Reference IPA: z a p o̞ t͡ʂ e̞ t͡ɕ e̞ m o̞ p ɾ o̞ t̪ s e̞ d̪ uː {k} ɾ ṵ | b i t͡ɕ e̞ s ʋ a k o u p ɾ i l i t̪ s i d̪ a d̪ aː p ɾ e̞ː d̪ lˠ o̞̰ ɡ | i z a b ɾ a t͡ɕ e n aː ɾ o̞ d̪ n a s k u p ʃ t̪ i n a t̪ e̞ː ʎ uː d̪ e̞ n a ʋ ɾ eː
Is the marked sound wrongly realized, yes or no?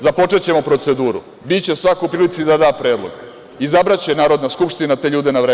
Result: yes